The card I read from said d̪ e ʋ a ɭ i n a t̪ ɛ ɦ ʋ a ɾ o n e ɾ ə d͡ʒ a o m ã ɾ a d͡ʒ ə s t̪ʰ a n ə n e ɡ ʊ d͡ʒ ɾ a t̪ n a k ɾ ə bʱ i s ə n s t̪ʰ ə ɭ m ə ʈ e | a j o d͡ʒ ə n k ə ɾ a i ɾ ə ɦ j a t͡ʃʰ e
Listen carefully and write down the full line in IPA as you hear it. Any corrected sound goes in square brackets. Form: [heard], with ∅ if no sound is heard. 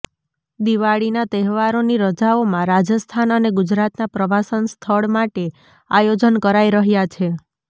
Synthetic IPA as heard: d̪ [i] ʋ a ɭ i n a t̪ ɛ ɦ ʋ a ɾ o n [i] ɾ ə d͡ʒ a o m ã ɾ a d͡ʒ ə s t̪ʰ a n ə n e ɡ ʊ d͡ʒ ɾ a t̪ n a [p] ɾ ə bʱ [a] s ə n s t̪ʰ ə ɭ m [a] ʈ e | a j o d͡ʒ ə n k ə ɾ a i ɾ ə ɦ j a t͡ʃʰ e

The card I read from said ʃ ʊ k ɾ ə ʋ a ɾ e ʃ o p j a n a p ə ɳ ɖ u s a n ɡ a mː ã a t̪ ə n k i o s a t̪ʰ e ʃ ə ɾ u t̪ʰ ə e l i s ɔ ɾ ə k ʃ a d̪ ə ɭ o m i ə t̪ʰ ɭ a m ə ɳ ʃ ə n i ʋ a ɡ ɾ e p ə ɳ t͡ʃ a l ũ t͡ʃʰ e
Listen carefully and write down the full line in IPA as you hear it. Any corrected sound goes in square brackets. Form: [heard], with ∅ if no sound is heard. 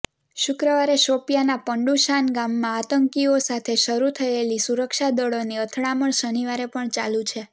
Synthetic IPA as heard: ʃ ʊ k ɾ ə ʋ a ɾ e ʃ o p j a n a p ə ɳ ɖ u [ʃ] a n ɡ a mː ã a t̪ ə [ŋ] k i o s a t̪ʰ e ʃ ə ɾ u t̪ʰ ə e l i s [u] ɾ ə k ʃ a d̪ ə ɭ o [n] i ə t̪ʰ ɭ a m ə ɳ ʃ ə n i ʋ a [∅] ɾ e p ə ɳ t͡ʃ a l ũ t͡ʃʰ e

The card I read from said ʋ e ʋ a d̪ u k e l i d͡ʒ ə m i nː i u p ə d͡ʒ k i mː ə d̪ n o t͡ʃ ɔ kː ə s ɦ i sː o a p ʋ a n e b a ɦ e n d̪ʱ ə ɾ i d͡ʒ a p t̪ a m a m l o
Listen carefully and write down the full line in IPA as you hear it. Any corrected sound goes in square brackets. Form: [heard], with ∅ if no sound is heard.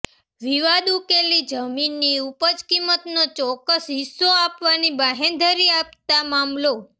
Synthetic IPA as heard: ʋ [i] ʋ a d̪ u k e l i d͡ʒ ə m i nː i u p ə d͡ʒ k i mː ə [t̪] n o t͡ʃ ɔ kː ə s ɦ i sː o a p ʋ a n [i] b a ɦ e n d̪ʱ ə ɾ i [∅] a p t̪ a m a m l o

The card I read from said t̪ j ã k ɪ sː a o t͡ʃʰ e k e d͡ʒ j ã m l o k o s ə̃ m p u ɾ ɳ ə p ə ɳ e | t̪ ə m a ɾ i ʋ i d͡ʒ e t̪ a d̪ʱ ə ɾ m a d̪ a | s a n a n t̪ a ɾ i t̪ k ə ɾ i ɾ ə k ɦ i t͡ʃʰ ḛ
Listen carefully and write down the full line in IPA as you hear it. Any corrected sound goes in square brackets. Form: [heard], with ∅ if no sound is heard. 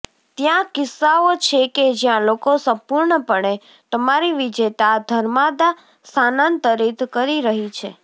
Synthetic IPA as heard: t̪ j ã k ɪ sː a o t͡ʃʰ e k e d͡ʒ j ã [∅] l o k o s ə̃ m p u ɾ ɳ ə p ə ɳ e | t̪ ə m a ɾ i ʋ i d͡ʒ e t̪ a d̪ʱ ə ɾ m a d̪ a | s a n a n t̪ [ə] ɾ i t̪ k ə ɾ i ɾ ə [∅] ɦ i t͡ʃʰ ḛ

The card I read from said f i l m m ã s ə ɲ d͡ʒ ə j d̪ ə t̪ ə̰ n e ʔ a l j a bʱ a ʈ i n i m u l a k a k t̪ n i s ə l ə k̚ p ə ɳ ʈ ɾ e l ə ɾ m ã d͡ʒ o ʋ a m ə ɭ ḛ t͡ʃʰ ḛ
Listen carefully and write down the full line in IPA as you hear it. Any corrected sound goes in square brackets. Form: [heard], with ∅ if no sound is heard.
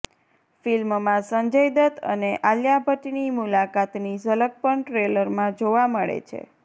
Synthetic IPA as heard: f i l m m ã s ə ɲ d͡ʒ ə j d̪ ə t̪ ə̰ n e ʔ a l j a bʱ [ə] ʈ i n i m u l a k a [∅] t̪ n i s ə l ə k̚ p ə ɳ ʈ ɾ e l ə ɾ m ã d͡ʒ o ʋ a m ə ɭ ḛ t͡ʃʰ ḛ

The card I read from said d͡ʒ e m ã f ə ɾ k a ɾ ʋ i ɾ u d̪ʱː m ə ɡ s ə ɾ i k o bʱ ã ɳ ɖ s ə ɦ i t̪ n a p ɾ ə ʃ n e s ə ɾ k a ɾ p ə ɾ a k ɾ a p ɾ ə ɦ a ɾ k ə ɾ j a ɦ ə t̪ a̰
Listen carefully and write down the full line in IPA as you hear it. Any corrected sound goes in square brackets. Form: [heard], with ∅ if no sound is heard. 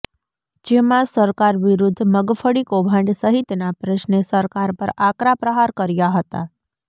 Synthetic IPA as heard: d͡ʒ e m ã [s] ə ɾ k a ɾ ʋ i ɾ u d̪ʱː m ə ɡ [f] ə [ɽ] i k o bʱ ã ɳ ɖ s ə ɦ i t̪ n a p ɾ ə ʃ n e s ə ɾ k a ɾ p ə ɾ a k ɾ a p ɾ ə ɦ a ɾ k ə ɾ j a ɦ ə t̪ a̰

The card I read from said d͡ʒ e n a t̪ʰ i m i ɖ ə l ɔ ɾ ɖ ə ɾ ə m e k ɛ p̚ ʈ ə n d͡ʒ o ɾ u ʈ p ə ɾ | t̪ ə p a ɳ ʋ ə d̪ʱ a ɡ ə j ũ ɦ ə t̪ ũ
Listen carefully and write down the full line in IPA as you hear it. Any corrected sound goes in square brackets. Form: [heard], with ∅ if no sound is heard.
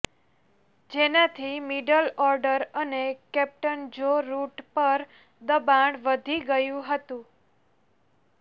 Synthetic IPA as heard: d͡ʒ e n a t̪ʰ i m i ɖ ə l ɔ ɾ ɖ ə ɾ ə [n] e k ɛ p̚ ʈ ə n d͡ʒ o ɾ u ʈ p ə ɾ | [d̪] ə [b] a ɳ ʋ ə d̪ʱ [i] ɡ ə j ũ ɦ ə t̪ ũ

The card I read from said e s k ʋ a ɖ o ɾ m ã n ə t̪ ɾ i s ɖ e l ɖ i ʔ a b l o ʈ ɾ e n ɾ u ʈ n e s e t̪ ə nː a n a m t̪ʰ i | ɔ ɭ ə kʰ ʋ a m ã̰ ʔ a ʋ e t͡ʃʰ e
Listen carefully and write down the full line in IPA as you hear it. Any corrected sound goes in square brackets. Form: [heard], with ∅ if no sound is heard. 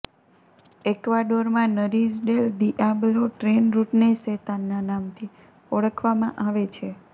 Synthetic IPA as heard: e [∅] k ʋ a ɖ o ɾ m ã n ə [∅] ɾ i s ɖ e l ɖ i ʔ a b l o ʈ ɾ e n ɾ u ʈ n e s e t̪ [a] nː a n a m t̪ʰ i | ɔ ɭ ə kʰ ʋ a m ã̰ ʔ a ʋ e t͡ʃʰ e

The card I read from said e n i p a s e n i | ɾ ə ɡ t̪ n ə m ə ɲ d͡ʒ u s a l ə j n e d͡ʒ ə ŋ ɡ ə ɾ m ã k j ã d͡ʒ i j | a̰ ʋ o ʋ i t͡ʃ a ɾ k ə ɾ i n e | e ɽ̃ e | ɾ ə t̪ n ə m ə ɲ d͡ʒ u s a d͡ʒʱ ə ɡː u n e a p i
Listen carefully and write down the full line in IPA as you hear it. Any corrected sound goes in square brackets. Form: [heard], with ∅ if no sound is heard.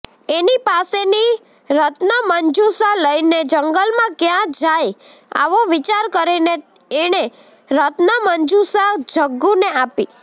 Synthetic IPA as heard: e n i p a s e n i | ɾ ə [∅] t̪ n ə m ə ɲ d͡ʒ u s a l ə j n e d͡ʒ ə ŋ ɡ ə [l] m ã k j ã d͡ʒ [a] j | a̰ ʋ o ʋ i t͡ʃ a ɾ k ə ɾ i n e | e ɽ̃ e | ɾ ə t̪ n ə m ə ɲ d͡ʒ u s a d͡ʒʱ ə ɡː u n e a p i

